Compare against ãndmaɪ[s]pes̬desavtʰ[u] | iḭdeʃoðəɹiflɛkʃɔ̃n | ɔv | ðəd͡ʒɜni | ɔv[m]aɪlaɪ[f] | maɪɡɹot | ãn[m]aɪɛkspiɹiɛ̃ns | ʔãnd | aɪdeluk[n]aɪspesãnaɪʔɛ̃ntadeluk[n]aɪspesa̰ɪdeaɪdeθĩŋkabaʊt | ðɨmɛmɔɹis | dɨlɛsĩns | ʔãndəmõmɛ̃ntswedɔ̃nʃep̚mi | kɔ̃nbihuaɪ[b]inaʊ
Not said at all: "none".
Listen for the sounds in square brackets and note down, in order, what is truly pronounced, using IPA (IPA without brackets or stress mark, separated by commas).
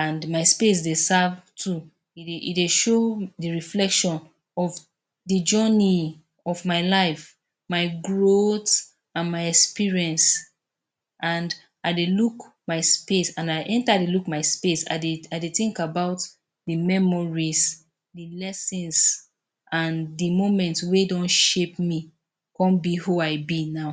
s, u, m, f, m, m, m, b